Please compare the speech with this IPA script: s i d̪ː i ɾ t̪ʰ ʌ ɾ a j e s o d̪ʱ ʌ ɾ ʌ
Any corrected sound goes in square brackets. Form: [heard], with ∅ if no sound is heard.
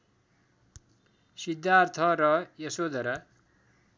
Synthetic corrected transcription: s i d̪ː [a] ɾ t̪ʰ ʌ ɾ [ʌ] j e s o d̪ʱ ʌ ɾ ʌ